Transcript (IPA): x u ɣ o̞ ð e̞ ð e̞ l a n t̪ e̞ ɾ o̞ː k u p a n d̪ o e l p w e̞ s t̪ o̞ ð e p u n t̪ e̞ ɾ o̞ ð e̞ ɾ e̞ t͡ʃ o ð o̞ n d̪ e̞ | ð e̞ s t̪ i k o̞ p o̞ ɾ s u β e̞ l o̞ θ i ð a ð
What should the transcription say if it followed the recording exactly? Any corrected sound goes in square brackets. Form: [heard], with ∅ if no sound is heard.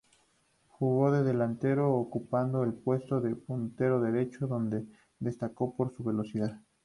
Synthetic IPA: x u ɣ o̞ ð e̞ ð e̞ l a n t̪ e̞ ɾ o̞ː k u p a n d̪ o e l p w e̞ s t̪ o̞ ð e p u n t̪ e̞ ɾ o̞ ð e̞ ɾ e̞ t͡ʃ o ð o̞ n d̪ e̞ | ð e̞ s t̪ [a] k o̞ p o̞ ɾ s u β e̞ l o̞ [s] i ð a ð